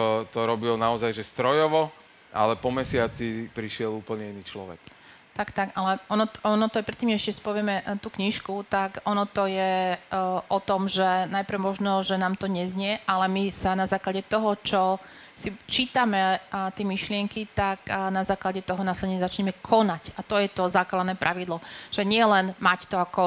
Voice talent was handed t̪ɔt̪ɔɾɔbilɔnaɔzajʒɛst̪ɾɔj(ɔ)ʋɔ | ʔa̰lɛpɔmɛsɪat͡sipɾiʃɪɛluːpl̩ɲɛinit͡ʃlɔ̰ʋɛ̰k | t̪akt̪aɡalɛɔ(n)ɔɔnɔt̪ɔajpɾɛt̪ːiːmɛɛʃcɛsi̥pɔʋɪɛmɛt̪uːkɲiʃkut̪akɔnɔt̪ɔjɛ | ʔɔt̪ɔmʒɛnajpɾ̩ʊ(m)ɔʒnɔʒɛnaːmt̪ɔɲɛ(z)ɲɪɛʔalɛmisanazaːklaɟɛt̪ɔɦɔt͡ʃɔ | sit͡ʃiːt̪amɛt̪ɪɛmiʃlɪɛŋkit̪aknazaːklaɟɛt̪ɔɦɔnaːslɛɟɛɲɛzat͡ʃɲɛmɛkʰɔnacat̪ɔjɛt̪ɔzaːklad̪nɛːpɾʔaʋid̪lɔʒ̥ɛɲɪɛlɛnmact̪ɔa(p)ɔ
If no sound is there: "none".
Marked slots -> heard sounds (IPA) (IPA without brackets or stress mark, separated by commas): ɔ, n, m, z, k